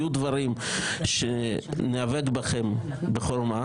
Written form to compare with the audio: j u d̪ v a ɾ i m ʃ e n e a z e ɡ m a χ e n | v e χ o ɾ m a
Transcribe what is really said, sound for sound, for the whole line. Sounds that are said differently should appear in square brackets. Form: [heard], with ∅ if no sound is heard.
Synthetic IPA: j u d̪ v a ɾ i m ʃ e n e a [v] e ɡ [b] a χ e [m] | [b] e χ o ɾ m a